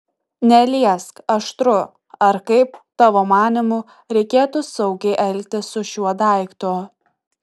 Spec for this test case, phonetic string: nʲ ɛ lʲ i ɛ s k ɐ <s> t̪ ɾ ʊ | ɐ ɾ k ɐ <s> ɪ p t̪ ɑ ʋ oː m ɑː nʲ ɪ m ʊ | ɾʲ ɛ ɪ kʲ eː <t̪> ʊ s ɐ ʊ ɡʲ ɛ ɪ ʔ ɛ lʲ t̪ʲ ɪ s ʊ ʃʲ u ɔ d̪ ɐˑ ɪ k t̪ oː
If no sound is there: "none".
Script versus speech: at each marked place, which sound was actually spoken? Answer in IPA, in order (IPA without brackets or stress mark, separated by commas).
ʃ, none, t̪